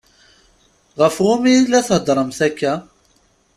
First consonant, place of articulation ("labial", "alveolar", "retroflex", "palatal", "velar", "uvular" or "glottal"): uvular